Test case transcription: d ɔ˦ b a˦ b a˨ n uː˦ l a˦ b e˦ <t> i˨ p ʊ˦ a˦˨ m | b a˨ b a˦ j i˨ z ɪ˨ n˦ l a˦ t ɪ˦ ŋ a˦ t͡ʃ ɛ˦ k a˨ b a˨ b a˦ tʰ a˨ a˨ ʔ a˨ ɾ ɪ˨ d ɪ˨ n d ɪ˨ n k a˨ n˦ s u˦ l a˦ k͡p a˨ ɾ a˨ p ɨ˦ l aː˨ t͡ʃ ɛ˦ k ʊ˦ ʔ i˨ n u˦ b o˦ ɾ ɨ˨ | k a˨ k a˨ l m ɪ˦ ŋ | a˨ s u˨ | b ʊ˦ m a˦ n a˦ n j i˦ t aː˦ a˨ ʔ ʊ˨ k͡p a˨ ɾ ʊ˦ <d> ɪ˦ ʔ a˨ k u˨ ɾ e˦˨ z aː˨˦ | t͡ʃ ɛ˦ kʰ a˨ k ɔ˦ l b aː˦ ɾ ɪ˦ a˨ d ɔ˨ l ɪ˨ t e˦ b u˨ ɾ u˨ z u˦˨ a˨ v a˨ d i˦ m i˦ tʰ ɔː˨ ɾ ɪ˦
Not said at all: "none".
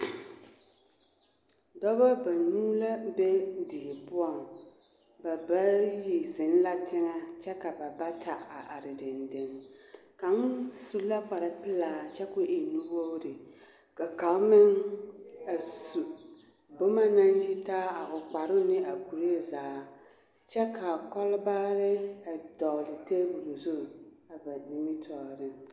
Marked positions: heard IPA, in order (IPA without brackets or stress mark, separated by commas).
d, n